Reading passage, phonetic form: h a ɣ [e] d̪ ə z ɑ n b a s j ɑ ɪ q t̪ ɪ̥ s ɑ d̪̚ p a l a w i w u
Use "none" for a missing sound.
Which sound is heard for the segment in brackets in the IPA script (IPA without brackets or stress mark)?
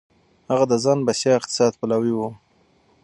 a